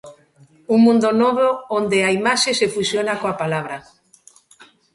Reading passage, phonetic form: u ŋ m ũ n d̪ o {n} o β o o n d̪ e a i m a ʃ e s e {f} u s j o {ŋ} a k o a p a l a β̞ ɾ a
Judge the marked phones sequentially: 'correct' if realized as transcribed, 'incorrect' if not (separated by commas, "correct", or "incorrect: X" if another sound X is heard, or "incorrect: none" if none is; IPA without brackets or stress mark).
correct, correct, incorrect: n